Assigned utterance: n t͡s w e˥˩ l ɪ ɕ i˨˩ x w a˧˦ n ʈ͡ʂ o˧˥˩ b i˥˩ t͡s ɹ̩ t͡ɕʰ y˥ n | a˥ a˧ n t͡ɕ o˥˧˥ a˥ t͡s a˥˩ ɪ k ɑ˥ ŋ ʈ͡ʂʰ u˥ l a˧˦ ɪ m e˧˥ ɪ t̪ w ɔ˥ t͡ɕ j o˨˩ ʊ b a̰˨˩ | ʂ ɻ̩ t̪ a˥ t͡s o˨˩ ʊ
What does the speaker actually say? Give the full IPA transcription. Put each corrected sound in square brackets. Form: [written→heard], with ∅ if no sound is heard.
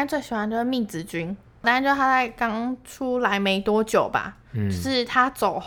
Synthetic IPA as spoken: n t͡s w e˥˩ [l→∅] ɪ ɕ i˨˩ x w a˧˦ n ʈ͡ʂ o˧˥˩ [b→m] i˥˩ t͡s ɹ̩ [t͡ɕʰ→t͡ɕ] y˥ n | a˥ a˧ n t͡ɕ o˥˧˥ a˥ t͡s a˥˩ ɪ k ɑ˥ ŋ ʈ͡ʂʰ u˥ l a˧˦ ɪ m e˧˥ ɪ t̪ w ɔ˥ t͡ɕ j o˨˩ ʊ b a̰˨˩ | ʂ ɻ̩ [t̪→t̪ʰ] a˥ t͡s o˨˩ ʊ